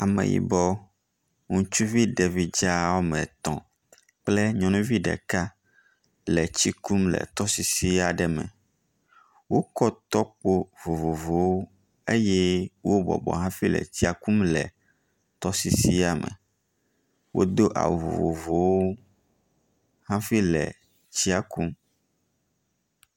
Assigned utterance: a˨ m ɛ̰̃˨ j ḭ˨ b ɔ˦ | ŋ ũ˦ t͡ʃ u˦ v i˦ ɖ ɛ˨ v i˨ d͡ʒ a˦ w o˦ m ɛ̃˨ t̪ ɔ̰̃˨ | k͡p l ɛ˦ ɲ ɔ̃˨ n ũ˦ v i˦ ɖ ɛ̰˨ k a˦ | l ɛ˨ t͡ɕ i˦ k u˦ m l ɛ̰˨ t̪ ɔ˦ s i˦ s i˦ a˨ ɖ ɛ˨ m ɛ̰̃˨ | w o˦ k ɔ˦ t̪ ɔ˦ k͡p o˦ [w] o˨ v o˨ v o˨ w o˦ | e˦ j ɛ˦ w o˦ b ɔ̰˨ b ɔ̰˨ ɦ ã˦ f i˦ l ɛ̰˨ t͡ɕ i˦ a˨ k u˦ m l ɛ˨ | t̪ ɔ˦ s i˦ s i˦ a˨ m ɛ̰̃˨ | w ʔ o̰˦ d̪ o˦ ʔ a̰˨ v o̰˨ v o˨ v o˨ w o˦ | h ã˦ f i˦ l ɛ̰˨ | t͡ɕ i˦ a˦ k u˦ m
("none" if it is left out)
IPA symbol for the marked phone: v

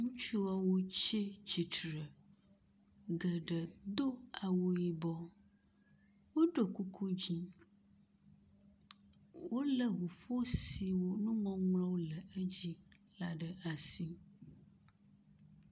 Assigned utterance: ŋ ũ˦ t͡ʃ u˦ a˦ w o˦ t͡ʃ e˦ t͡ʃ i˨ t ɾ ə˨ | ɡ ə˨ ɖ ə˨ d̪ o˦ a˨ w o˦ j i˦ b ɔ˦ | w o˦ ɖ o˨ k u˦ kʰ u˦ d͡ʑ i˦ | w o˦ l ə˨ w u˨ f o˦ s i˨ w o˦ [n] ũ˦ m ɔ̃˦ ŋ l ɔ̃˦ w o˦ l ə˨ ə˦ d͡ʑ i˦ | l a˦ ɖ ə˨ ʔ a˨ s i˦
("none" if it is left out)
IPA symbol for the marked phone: n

